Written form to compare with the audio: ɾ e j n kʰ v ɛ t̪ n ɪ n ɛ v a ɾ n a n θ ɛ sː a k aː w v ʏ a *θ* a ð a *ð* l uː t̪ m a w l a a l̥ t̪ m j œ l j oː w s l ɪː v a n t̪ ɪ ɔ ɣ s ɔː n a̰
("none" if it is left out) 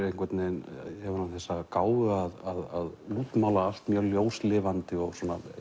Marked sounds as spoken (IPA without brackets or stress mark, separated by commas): ð, ð